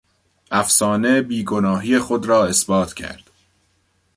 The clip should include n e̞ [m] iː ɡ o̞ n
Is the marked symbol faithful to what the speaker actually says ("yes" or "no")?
no